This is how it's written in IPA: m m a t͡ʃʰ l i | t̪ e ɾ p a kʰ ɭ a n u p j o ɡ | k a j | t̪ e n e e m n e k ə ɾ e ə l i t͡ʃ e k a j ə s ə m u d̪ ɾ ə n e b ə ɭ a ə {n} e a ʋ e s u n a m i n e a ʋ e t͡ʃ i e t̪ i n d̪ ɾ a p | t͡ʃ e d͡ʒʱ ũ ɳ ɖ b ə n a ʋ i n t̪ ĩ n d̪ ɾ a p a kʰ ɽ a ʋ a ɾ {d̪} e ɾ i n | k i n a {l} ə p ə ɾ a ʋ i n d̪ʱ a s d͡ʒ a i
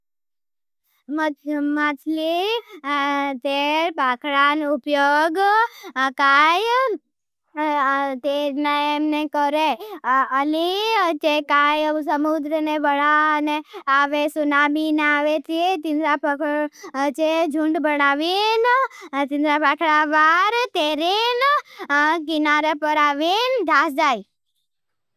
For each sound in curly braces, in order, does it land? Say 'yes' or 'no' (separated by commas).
yes, no, no